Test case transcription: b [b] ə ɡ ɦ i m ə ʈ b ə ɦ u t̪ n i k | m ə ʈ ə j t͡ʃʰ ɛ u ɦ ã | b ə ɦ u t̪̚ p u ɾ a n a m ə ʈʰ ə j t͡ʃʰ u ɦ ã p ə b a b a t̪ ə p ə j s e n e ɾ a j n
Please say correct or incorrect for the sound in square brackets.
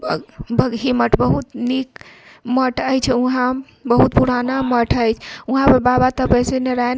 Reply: correct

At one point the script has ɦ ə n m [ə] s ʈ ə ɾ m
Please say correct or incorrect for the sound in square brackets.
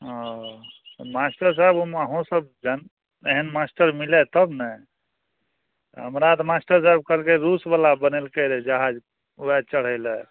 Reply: incorrect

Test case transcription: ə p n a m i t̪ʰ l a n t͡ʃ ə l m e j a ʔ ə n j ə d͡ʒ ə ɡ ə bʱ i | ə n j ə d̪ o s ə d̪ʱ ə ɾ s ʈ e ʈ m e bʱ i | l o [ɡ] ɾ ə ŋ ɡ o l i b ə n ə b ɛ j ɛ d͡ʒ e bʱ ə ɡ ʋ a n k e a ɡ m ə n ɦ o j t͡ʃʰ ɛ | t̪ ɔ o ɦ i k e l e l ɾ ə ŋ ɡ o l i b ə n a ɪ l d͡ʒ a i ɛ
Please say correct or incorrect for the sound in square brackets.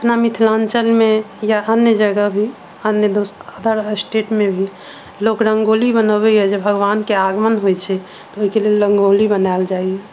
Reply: incorrect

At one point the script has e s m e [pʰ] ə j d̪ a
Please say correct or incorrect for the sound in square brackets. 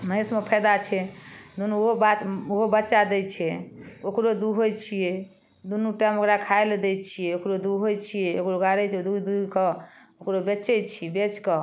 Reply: correct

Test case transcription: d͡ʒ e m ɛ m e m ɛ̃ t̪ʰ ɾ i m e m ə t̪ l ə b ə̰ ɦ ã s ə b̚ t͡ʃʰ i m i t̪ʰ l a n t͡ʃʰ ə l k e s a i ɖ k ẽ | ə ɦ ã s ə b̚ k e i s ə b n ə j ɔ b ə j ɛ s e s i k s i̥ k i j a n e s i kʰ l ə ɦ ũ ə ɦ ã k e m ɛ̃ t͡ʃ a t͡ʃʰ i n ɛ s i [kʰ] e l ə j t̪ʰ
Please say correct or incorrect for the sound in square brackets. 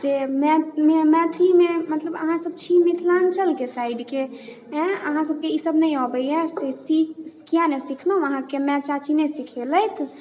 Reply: correct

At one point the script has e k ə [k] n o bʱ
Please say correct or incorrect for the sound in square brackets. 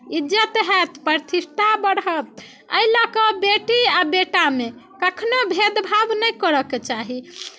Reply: incorrect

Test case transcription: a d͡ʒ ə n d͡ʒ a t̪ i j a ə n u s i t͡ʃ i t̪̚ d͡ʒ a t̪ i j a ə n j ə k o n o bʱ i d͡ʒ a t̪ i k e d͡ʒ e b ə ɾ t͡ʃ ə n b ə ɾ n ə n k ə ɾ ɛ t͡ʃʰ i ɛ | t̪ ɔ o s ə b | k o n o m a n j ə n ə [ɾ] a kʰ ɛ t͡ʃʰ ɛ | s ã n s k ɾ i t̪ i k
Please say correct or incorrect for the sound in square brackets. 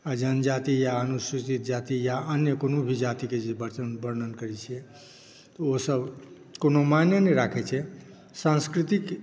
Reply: correct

